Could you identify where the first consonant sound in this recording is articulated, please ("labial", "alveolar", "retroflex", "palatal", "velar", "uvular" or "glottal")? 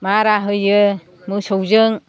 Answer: labial